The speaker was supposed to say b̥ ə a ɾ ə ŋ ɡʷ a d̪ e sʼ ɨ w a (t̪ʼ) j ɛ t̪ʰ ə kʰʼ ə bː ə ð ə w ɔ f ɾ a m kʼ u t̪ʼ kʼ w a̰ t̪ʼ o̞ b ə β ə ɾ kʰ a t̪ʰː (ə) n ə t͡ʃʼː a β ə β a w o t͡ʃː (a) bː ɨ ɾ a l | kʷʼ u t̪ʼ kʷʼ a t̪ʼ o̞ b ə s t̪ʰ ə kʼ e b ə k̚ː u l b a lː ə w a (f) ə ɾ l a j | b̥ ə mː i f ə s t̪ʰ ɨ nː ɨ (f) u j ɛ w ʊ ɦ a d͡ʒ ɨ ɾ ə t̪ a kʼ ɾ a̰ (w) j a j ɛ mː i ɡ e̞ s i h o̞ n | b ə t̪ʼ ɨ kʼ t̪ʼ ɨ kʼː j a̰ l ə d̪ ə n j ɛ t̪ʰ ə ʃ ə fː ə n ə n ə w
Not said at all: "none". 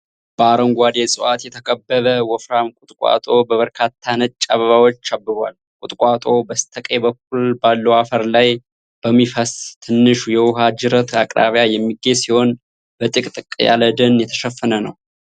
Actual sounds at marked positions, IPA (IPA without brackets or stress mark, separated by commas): t̪, a, a, f, ʃ, β